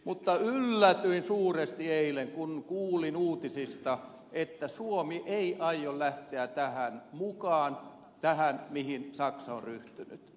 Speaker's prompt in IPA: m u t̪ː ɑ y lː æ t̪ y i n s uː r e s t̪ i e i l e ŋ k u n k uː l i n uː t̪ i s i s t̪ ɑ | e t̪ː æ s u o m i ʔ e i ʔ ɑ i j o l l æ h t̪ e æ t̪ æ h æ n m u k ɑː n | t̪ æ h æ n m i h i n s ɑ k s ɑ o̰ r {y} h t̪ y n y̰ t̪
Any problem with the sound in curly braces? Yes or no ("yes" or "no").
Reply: no